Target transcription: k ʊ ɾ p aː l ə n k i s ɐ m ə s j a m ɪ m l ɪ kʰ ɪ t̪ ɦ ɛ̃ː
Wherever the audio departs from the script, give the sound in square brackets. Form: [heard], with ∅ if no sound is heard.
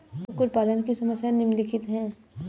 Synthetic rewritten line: k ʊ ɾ p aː l ə n k i s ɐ m ə s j a [n] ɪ m l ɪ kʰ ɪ t̪ ɦ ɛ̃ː